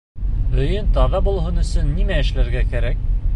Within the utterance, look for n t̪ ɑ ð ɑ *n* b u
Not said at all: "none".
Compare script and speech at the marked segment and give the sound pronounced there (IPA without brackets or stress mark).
none